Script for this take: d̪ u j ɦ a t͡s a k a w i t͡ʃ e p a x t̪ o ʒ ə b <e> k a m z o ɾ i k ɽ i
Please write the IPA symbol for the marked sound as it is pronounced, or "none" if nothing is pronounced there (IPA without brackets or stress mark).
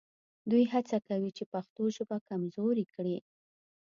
a